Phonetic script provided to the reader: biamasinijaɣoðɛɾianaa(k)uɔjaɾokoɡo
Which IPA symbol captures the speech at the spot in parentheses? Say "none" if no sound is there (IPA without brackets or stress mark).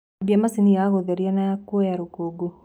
k